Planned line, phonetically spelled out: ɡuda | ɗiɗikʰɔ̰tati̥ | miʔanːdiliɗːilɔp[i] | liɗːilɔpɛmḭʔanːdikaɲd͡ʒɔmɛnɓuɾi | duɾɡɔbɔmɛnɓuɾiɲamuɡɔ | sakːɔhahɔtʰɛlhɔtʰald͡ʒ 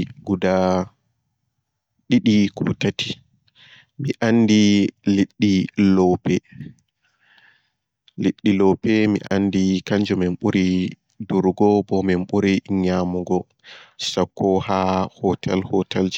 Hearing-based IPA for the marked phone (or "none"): ɛ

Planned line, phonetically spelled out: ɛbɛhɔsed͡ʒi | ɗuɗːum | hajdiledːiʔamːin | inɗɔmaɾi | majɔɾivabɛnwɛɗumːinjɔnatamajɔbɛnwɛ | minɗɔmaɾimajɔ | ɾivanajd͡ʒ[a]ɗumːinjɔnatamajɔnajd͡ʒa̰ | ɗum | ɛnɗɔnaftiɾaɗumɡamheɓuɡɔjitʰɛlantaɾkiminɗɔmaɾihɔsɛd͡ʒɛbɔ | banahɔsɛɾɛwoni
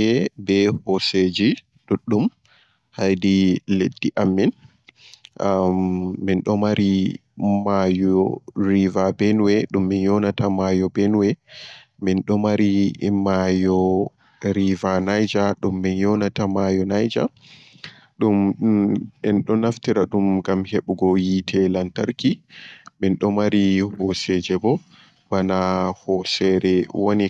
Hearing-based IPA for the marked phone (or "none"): a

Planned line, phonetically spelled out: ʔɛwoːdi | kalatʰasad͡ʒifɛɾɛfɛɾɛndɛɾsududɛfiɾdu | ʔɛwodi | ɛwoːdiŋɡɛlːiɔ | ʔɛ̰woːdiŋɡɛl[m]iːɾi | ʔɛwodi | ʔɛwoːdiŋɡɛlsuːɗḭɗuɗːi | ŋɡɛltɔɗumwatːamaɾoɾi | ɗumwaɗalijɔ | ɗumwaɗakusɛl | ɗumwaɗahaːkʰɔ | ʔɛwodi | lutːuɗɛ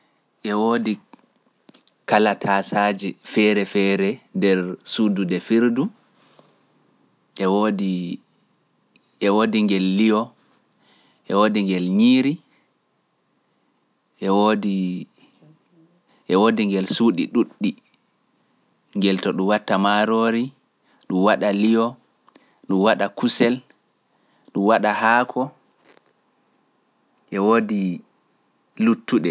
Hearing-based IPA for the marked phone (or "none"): ɲ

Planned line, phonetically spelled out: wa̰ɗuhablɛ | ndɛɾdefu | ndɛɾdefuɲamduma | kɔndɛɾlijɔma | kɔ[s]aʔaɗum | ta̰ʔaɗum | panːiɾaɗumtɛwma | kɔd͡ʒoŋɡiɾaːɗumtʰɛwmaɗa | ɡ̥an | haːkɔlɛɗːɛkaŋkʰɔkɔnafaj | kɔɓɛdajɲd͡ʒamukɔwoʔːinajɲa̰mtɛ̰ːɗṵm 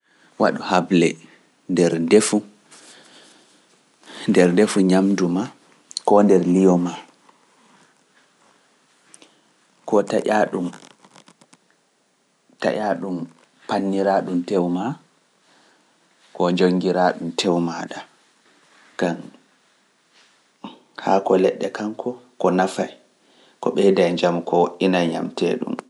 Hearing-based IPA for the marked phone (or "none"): t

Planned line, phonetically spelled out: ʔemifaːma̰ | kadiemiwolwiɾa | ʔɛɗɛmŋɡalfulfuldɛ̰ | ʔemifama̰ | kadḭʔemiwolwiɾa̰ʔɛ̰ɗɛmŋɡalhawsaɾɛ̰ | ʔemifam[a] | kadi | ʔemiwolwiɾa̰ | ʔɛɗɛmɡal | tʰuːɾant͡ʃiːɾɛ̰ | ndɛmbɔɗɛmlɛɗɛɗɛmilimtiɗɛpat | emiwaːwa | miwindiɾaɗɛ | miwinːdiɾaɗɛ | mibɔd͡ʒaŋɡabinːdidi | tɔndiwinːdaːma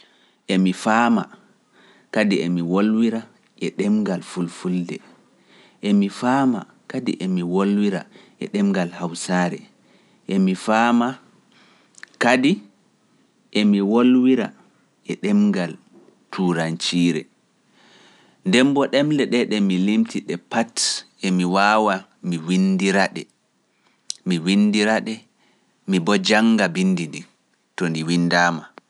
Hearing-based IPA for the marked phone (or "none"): a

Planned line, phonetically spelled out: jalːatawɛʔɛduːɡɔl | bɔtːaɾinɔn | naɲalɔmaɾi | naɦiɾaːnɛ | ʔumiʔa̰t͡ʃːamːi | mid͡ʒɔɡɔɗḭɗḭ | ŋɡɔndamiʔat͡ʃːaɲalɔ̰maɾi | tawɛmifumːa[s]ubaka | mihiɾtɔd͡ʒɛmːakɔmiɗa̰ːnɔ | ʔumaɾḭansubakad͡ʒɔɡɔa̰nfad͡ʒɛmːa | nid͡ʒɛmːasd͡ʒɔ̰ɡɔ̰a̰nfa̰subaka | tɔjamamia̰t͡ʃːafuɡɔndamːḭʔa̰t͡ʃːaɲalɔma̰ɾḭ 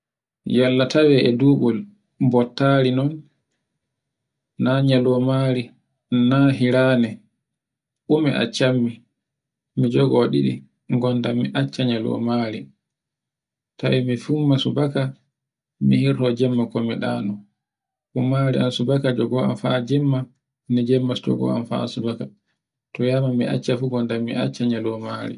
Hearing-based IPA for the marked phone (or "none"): s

